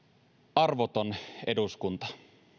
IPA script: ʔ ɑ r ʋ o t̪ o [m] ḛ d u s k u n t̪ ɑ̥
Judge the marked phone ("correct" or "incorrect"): incorrect